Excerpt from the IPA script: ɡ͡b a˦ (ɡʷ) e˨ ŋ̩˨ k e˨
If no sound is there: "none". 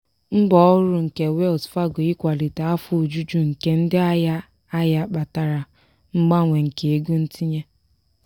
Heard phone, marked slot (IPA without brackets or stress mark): ŋʷ